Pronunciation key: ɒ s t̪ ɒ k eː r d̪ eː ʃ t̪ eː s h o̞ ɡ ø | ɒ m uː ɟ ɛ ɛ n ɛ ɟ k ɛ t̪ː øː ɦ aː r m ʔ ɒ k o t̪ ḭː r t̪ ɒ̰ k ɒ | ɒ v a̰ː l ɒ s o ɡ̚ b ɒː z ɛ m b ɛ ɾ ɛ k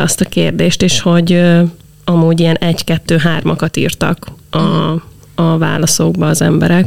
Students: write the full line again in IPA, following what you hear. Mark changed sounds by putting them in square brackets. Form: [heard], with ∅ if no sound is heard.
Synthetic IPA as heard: ɒ s t̪ ɒ k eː r d̪ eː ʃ t̪ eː [ʃ] h o̞ [ɟ] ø | ɒ m uː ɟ [i] ɛ n ɛ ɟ k ɛ t̪ː øː ɦ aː r m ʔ ɒ k [ɒ] t̪ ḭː r t̪ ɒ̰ k ɒ | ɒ v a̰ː l ɒ s o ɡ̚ b ɒː z ɛ m b ɛ ɾ ɛ k